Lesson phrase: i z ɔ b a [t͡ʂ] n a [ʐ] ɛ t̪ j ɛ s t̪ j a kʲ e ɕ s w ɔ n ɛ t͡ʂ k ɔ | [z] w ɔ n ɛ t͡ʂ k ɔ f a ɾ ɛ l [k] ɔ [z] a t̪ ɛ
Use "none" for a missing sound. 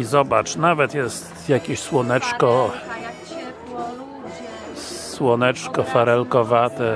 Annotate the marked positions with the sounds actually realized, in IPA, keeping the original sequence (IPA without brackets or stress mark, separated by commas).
t͡ʂ, v, s, k, v